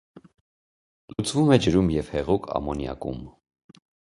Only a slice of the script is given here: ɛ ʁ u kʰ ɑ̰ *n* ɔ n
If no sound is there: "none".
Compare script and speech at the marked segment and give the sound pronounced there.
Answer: m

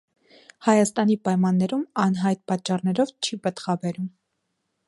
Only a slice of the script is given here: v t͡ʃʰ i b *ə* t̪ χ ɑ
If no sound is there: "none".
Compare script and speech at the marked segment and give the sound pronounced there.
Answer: ə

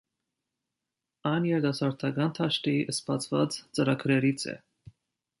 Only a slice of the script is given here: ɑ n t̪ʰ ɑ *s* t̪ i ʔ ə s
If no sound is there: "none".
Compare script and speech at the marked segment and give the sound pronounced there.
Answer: ʃ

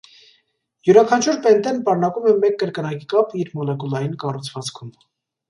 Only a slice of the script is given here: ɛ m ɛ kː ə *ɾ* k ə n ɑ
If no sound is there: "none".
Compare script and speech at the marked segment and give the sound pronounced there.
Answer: ɾ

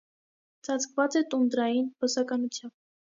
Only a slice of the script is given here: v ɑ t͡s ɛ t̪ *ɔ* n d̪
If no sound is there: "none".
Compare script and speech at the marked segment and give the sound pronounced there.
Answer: u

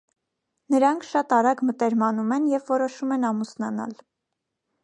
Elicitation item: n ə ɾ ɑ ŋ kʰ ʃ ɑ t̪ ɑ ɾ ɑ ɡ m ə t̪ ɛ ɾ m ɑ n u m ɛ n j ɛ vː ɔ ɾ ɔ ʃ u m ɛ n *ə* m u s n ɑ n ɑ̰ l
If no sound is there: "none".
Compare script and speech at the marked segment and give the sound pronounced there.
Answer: ɑ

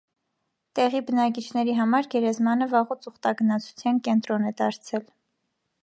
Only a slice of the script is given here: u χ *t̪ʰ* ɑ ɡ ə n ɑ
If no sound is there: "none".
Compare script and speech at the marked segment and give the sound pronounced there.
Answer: t̪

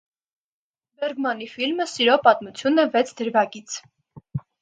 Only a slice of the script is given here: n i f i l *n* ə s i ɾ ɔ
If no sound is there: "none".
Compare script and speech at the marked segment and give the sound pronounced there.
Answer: m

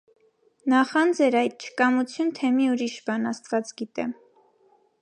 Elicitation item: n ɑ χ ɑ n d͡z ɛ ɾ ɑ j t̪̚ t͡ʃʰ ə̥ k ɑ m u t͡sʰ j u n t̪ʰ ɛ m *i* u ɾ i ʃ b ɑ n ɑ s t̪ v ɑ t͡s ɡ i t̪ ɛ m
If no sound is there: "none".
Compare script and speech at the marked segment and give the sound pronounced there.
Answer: i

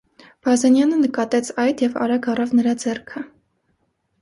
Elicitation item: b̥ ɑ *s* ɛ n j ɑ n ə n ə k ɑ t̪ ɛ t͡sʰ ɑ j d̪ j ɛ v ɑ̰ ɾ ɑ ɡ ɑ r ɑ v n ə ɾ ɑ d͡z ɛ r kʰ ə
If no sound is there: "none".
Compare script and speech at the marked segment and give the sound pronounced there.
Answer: z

